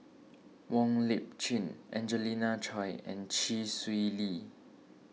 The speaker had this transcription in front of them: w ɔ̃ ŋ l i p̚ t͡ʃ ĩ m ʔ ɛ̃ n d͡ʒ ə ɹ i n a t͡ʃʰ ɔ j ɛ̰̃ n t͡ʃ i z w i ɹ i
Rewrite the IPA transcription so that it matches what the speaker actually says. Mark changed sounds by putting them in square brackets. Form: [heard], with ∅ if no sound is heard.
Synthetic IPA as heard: w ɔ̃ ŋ l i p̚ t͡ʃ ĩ [n] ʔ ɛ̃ n d͡ʒ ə [l] i n a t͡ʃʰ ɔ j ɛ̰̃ n t͡ʃ i [s] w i [l] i